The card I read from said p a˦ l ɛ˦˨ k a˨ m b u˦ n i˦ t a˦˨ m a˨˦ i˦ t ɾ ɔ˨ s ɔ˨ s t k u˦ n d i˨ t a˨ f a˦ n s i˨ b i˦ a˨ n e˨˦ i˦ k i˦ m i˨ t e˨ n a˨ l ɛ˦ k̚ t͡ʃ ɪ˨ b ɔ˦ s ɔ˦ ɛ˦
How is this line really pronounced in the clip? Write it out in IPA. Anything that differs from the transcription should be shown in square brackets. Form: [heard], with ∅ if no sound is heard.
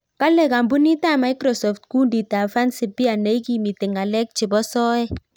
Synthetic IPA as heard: [k] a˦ l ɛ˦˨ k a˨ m b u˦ n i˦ t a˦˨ m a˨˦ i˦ [k] ɾ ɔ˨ s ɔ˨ [f] t k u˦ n d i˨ t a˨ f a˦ n s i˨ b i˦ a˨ n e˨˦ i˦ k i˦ m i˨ t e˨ [ŋ] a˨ l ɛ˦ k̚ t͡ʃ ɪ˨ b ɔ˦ s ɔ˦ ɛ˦